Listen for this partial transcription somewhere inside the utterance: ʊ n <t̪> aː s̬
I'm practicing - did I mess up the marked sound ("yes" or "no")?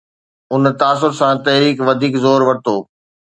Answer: no